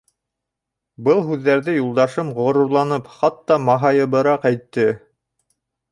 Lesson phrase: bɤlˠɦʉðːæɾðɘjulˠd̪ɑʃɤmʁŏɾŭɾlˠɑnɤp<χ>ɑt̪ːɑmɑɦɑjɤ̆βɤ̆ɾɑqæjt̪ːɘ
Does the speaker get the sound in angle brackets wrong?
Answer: no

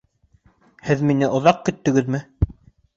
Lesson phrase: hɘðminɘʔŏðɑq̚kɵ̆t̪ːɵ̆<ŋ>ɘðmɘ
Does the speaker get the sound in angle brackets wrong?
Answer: yes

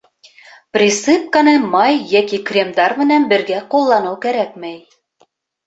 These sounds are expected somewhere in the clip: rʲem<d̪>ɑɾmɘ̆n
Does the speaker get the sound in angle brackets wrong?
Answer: no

